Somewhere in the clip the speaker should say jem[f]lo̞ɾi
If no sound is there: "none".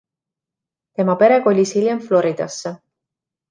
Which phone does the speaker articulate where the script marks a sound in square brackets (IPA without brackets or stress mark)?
f